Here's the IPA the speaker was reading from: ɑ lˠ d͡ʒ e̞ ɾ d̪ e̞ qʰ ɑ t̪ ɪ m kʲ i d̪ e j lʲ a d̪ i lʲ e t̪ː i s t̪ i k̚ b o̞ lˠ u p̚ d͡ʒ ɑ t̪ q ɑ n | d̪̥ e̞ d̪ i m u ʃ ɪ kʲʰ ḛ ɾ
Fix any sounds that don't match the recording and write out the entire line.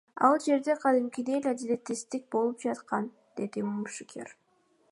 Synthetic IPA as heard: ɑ lˠ d͡ʒ e̞ ɾ d̪ e̞ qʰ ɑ d̪ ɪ m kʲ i d̪ e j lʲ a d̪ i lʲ e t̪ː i s t̪ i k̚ b o̞ lˠ u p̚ d͡ʒ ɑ t̪ q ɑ n | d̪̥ e̞ d̪ i m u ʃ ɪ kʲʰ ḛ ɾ